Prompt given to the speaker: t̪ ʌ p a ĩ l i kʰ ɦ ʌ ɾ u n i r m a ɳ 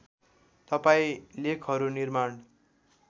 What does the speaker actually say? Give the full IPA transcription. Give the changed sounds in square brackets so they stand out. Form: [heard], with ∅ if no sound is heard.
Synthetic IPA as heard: t̪ ʌ p a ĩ l [e] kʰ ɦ ʌ ɾ u n i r m a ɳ